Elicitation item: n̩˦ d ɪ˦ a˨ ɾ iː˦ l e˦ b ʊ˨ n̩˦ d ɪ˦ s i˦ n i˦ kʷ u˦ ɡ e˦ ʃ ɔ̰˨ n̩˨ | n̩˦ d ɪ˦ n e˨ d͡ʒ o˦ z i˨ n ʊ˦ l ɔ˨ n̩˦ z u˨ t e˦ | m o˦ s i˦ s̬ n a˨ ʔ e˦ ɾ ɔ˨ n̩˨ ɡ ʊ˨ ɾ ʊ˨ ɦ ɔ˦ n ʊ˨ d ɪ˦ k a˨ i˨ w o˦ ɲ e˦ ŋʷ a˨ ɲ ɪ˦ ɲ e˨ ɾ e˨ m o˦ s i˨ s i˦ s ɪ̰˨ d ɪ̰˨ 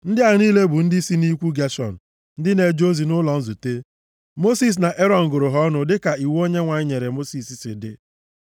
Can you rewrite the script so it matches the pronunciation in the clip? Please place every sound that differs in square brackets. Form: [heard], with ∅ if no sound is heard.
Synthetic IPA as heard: n̩˦ d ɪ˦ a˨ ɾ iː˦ l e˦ b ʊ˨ n̩˦ d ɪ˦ s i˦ n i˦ kʷ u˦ ɡ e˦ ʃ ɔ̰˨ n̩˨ | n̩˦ d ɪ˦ n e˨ d͡ʒ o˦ z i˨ n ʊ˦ l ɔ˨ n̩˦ z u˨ t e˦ | m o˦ s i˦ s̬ n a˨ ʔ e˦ ɾ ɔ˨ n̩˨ ɡ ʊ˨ ɾ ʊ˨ ɦ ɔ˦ n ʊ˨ d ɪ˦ k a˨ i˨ w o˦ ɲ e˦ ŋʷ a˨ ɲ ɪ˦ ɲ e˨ ɾ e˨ m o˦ s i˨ s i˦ s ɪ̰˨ d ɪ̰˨